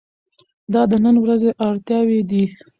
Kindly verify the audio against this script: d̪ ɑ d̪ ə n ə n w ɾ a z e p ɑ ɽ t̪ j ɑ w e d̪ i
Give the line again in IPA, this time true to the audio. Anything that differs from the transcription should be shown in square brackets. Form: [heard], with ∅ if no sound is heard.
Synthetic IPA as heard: d̪ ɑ d̪ ə n ə n w ɾ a z e [ʔ] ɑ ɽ t̪ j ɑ w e d̪ i